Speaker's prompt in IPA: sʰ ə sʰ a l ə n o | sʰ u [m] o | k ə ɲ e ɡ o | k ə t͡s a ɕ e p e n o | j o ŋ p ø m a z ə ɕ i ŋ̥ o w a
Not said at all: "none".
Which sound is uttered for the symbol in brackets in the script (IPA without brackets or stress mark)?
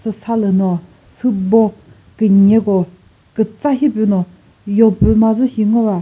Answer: b